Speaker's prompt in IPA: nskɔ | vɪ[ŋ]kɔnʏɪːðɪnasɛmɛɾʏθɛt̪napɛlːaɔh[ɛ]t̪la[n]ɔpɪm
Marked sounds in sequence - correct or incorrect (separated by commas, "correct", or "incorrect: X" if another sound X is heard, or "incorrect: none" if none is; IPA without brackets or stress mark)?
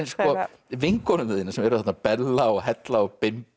correct, correct, incorrect: none